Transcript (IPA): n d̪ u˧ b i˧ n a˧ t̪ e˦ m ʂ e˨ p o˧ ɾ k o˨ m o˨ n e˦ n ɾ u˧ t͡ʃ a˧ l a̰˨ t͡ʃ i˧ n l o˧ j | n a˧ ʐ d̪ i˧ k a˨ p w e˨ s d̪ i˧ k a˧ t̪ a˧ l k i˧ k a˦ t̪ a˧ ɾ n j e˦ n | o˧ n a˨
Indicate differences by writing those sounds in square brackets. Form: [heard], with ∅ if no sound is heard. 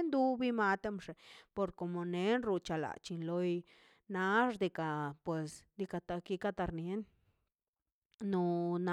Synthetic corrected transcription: n d̪ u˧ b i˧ [m] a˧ t̪ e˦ m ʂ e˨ p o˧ ɾ k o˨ m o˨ n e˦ n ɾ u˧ t͡ʃ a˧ l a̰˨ t͡ʃ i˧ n l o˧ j | n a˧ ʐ d̪ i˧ k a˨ p w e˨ s d̪ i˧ k a˧ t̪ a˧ [∅] k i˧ k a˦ t̪ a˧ ɾ n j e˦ n | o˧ n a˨

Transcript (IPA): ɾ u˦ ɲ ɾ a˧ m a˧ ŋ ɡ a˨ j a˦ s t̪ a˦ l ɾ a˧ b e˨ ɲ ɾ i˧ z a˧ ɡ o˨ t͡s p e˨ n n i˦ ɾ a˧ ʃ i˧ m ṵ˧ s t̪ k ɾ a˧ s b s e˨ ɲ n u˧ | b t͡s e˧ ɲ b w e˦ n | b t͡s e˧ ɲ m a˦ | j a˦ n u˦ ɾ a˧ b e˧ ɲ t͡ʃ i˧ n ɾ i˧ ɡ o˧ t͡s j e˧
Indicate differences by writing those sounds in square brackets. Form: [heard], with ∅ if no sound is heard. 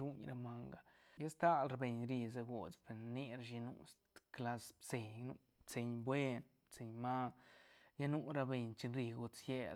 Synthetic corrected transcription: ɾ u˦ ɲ ɾ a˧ m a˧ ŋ ɡ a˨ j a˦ s t̪ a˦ l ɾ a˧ b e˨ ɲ ɾ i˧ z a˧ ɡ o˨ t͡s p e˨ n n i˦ ɾ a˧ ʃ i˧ [n] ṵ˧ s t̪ k [l] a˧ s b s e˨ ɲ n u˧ | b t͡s e˧ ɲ b w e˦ n | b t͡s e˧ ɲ m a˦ | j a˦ n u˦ ɾ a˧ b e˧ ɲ t͡ʃ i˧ n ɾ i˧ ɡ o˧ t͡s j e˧

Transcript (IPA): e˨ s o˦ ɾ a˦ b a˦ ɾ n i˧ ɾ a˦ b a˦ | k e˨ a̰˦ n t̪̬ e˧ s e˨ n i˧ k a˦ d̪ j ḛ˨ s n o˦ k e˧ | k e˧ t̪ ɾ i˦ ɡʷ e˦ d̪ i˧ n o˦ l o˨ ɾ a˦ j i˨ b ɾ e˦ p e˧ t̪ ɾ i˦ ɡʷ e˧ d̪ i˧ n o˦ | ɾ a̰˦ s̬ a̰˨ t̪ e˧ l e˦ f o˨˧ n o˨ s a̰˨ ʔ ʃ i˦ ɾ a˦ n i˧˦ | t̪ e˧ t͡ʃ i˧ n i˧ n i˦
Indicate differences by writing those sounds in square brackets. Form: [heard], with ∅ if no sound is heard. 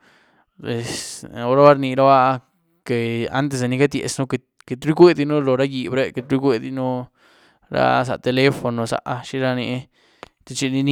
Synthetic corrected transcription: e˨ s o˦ ɾ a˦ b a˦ ɾ n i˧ ɾ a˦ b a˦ | k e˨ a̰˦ n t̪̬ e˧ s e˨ n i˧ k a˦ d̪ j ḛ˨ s n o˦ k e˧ | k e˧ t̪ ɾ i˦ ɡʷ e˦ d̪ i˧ n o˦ l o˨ ɾ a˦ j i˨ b ɾ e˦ [k] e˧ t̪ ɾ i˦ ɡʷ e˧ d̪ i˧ n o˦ | ɾ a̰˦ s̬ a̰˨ t̪ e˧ l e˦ f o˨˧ n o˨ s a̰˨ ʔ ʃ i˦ ɾ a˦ n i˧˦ | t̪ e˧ t͡ʃ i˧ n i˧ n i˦

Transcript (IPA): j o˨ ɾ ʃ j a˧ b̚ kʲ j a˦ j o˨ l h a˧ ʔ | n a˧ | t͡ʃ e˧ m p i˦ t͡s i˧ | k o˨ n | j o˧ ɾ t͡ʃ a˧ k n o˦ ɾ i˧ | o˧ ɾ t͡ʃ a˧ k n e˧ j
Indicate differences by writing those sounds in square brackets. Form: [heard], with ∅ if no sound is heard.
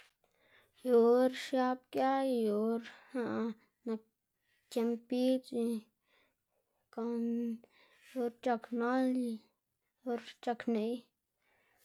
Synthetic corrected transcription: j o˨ ɾ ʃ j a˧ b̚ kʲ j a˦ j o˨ [ɾ] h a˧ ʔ | n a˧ | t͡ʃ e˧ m p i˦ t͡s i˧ | k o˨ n | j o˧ ɾ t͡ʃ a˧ k n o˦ [l] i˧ | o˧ ɾ t͡ʃ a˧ k n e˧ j

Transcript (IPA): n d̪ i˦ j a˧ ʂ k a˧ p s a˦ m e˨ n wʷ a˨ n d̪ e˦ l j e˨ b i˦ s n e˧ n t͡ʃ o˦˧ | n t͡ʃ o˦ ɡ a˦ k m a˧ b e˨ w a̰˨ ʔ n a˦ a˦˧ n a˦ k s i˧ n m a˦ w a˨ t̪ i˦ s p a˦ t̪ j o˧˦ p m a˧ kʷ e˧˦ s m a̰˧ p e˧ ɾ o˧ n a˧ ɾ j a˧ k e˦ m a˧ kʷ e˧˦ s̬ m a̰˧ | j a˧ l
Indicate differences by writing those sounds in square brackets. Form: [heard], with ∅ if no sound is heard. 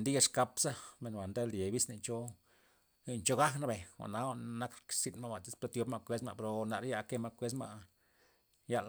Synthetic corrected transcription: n d̪ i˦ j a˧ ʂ k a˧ p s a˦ m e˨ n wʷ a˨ n d̪ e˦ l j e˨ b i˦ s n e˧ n t͡ʃ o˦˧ | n t͡ʃ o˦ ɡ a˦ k [n] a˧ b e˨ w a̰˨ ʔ n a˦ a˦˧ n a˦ k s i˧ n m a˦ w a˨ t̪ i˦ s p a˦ t̪ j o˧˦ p m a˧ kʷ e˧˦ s m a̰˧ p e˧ ɾ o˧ n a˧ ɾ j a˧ k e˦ m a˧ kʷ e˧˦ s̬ m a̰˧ | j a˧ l

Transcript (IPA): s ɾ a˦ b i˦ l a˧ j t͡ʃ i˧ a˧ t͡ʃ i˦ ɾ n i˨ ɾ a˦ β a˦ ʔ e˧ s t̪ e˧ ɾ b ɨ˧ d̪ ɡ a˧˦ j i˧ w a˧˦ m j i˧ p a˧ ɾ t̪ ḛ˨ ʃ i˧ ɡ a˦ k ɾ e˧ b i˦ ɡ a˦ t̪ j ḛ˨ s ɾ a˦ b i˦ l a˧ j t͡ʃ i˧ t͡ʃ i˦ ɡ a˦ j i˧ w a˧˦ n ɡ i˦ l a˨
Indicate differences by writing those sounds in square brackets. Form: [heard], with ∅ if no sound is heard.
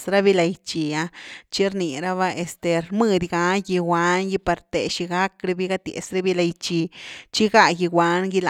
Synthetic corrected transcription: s ɾ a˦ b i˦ l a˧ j t͡ʃ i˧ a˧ t͡ʃ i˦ ɾ n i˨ ɾ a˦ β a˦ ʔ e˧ s t̪ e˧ ɾ [m] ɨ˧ d̪ ɡ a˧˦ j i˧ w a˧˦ [n] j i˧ p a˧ ɾ t̪ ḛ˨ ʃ i˧ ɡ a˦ k ɾ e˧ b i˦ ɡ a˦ t̪ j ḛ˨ s ɾ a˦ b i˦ l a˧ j t͡ʃ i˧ t͡ʃ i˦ ɡ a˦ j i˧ w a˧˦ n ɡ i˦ l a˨

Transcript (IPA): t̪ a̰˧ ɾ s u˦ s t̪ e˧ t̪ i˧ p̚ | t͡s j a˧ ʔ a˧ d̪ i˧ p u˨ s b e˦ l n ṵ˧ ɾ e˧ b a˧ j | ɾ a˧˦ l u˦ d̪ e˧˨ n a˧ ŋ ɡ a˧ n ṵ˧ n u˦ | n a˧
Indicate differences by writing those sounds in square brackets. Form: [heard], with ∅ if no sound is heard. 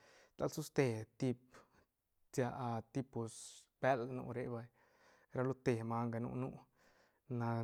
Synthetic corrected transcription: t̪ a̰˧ [l] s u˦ s t̪ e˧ t̪ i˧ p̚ | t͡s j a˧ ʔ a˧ [t̪] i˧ p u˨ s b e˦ l n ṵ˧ ɾ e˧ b a˧ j | ɾ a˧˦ l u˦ [t̪] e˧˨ [m] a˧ ŋ ɡ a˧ n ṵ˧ n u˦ | n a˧

